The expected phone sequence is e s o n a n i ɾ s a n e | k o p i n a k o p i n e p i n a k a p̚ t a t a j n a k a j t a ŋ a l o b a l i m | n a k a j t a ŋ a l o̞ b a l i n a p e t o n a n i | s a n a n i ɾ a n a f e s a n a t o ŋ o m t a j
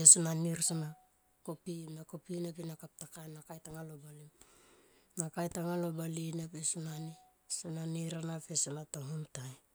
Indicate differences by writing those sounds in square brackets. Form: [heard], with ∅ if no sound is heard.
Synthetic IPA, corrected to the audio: e s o n a n i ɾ s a n [a] | k o p i n a k o p i n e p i n a k a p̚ t a [k] a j n a k a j t a ŋ a l o b a l i m | n a k a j t a ŋ a l o̞ b a l i n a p e [s] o n a n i | s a n a n i ɾ a n a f e s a n a t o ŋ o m t a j